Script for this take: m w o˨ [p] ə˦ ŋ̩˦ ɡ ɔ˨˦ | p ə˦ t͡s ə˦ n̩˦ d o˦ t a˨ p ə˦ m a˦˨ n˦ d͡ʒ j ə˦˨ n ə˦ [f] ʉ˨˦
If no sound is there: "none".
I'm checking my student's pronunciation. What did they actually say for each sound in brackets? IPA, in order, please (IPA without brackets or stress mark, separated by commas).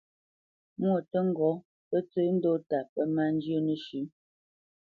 t, ʃ